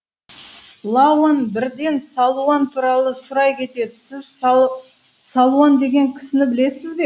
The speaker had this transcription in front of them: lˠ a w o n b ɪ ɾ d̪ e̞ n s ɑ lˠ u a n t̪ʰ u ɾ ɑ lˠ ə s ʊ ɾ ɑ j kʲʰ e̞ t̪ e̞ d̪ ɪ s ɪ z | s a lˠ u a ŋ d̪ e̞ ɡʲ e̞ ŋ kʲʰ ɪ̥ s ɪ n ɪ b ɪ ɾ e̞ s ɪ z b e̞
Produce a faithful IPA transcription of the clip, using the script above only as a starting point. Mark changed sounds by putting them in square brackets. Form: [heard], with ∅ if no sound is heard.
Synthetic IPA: lˠ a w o n b ɪ ɾ d̪ e̞ n s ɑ lˠ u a n t̪ʰ u ɾ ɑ lˠ ə s ʊ ɾ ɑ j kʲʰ e̞ t̪ e̞ d̪ ɪ s ɪ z | s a lˠ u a [n] d̪ e̞ ɡʲ e̞ ŋ kʲʰ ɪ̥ s ɪ n ɪ b ɪ [l] e̞ s ɪ z b e̞